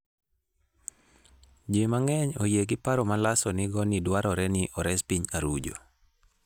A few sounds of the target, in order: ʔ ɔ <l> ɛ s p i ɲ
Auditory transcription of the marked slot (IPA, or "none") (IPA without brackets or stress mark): ɾ